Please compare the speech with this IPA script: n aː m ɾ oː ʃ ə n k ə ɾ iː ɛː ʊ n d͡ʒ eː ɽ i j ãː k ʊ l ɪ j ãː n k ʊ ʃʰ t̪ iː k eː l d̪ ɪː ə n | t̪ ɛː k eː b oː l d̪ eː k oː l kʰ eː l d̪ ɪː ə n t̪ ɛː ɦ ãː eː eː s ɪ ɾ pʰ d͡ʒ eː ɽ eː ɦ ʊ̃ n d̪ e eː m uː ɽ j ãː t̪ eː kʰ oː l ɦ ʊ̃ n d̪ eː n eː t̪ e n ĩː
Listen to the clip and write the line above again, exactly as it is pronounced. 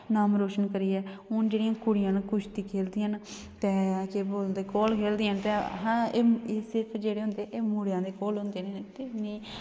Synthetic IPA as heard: n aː m ɾ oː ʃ ə n k ə ɾ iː ɛː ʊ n d͡ʒ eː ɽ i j ãː k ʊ ɽ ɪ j ãː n k ʊ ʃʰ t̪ iː kʰ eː l d̪ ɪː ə n | t̪ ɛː k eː b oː l d̪ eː k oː l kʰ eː l d̪ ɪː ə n t̪ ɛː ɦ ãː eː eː s ɪ ɾ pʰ d͡ʒ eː ɽ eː ɦ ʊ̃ n d̪ e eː m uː ɽ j ãː d̪ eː k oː l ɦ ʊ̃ n d̪ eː n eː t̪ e n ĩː

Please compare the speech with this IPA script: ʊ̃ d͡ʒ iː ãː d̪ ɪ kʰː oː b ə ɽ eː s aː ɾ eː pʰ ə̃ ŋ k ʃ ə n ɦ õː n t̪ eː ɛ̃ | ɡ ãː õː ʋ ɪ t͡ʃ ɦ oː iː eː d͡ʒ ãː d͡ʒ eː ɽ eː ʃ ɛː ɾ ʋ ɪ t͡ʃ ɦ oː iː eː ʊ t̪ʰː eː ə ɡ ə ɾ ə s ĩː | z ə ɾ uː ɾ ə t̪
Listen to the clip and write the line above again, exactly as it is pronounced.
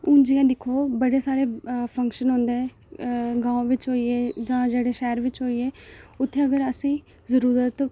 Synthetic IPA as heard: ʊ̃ d͡ʒ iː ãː d̪ ɪ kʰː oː b ə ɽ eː s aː ɾ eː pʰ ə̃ ŋ k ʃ ə n ɦ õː n d̪ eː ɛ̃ | ɡ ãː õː ʋ ɪ t͡ʃ ɦ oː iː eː d͡ʒ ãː d͡ʒ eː ɽ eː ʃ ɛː ɾ ʋ ɪ t͡ʃ ɦ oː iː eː ʊ t̪ʰː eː ə ɡ ə ɾ ə s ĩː | z ə ɾ uː ɾ ə t̪

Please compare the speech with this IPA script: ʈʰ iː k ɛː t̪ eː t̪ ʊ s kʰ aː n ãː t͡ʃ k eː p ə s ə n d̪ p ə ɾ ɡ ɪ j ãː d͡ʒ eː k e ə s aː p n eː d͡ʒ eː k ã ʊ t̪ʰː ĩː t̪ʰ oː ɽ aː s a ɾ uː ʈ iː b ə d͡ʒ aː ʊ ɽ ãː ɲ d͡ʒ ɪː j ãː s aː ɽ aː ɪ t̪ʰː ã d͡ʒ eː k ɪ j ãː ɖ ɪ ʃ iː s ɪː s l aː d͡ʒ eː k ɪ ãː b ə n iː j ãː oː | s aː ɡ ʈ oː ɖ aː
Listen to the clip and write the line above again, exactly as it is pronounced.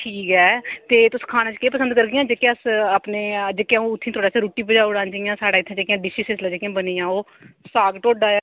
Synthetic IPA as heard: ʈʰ iː k ɛː t̪ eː t̪ ʊ s kʰ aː n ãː t͡ʃ k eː p ə s ə n d̪ k ə ɾ ɡ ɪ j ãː d͡ʒ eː k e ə s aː p n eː d͡ʒ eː k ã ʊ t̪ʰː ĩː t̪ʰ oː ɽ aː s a ɾ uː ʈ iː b ə d͡ʒ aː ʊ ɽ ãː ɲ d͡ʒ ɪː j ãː s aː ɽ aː ɪ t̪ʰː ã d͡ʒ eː k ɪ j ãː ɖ ɪ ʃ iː s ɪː s l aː d͡ʒ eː k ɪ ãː b ə n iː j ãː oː | s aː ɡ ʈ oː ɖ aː

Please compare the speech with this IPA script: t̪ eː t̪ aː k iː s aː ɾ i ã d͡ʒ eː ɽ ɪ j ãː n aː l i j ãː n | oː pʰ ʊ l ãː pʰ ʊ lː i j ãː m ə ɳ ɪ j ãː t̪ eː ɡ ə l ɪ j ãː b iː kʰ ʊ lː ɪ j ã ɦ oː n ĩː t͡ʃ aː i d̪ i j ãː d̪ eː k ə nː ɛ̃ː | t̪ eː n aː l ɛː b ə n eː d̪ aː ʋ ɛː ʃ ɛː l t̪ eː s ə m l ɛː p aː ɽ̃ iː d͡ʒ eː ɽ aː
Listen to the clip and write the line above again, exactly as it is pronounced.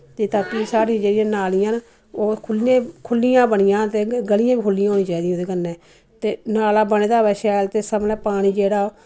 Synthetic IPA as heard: t̪ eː t̪ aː k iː s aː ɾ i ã d͡ʒ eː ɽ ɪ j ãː n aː l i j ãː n | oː kʰ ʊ l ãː kʰ ʊ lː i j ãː b ə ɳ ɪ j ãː t̪ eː ɡ ə l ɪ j ãː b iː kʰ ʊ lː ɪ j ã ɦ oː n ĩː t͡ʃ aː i d̪ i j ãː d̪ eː k ə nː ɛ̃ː | t̪ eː n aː l aː b ə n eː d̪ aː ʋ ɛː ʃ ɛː l t̪ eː s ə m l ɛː p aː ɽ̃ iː d͡ʒ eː ɽ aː

